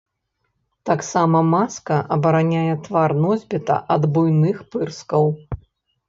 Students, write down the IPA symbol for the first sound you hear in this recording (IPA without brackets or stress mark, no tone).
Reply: t̪